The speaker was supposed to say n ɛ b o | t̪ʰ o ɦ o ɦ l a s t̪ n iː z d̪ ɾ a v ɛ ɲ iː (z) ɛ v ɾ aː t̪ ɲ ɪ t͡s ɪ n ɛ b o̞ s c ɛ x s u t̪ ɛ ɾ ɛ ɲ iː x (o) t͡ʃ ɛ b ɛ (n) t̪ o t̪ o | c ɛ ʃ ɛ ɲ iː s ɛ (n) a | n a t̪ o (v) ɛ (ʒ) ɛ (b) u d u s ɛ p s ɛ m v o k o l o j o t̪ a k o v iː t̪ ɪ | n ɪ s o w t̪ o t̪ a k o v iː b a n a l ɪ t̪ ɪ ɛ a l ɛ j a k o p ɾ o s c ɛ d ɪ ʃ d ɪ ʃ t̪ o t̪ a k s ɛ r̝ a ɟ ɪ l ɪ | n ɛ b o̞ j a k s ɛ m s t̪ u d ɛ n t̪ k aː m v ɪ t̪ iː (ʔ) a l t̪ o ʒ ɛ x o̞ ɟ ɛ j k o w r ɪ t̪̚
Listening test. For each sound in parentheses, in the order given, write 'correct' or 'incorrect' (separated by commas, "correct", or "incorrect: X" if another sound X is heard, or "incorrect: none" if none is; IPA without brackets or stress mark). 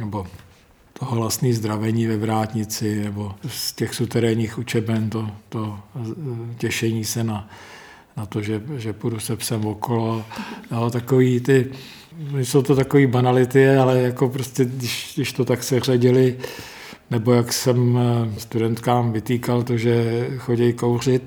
incorrect: v, incorrect: u, correct, correct, incorrect: ʒ, correct, incorrect: p, incorrect: k